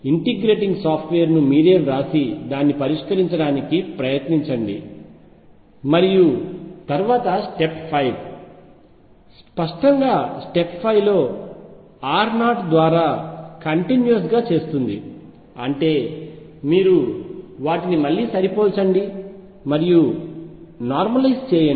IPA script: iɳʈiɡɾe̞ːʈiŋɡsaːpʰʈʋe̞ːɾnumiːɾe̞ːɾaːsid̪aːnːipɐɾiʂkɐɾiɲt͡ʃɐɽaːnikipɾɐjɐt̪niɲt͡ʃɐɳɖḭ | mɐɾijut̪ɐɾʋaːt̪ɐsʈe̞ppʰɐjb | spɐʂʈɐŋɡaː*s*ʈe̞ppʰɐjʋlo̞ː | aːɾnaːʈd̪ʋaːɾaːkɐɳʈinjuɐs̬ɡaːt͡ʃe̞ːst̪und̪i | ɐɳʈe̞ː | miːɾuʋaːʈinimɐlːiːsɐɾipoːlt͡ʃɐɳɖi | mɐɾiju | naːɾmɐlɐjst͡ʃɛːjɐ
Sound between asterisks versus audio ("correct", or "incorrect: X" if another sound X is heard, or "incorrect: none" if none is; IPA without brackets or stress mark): correct